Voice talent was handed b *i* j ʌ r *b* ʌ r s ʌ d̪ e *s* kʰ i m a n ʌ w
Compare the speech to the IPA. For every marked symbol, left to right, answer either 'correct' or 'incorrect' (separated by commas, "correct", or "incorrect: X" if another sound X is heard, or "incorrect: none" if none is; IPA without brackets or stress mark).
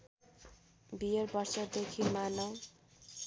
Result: correct, correct, incorrect: none